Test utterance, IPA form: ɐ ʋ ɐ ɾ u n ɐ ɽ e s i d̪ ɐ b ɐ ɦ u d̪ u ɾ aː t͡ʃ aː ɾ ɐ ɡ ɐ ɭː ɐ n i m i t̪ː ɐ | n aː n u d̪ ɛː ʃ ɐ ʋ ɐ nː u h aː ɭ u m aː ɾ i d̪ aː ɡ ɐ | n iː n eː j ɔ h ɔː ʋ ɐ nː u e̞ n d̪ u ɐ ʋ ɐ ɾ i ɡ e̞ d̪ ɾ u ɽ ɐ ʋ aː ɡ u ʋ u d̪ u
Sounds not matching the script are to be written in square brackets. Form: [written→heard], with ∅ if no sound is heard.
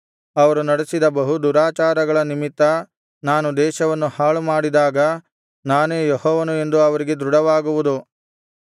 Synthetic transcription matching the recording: ɐ ʋ ɐ ɾ u n ɐ ɽ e s i d̪ ɐ b ɐ ɦ u d̪ u ɾ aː t͡ʃ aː ɾ ɐ ɡ ɐ [ɭː→ɭ] ɐ n i m i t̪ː ɐ | n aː n u d̪ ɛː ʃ ɐ ʋ ɐ nː u h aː ɭ u m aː [ɾ→ɽ] i d̪ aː ɡ ɐ | n [iː→aː] n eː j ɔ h ɔː ʋ ɐ [nː→n] u e̞ n d̪ u ɐ ʋ ɐ ɾ i ɡ e̞ d̪ ɾ u ɽ ɐ ʋ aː ɡ u ʋ u d̪ u